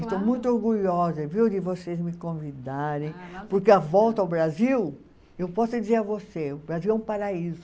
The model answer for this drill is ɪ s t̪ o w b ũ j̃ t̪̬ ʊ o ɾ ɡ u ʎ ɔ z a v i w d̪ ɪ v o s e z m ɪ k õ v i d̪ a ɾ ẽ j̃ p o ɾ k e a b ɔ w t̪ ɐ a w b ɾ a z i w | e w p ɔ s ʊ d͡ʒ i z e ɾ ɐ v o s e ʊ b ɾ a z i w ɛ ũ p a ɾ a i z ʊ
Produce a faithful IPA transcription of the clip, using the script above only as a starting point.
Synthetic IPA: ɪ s t̪ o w m ũ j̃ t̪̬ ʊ o ɾ ɡ u ʎ ɔ z ɐ v i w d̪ ɪ v o s e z m ɪ k õ v i d̪ a ɾ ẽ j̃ p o ɾ k e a v ɔ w t̪ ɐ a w b ɾ a z i w | e w p ɔ s ʊ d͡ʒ i z e ɾ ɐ v o s e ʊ b ɾ a z i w ɛ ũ p a ɾ a i z ʊ